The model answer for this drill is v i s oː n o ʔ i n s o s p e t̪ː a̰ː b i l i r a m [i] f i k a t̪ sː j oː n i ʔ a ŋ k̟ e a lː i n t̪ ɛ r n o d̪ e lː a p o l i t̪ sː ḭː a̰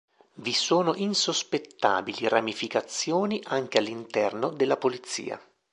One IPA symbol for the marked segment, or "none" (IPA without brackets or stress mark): i